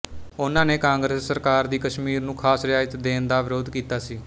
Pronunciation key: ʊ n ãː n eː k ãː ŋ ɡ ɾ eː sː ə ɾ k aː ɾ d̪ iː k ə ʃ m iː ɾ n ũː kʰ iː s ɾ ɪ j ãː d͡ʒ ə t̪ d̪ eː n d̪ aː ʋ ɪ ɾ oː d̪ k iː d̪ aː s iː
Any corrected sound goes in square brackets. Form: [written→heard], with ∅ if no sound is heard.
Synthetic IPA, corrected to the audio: ʊ n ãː n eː k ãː ŋ ɡ ɾ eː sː ə ɾ k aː ɾ d̪ iː k ə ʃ m iː ɾ n ũː kʰ [iː→aː] s ɾ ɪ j [ãː→aː] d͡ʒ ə t̪ d̪ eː n d̪ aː ʋ ɪ ɾ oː d̪ k iː [d̪→t̪] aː s iː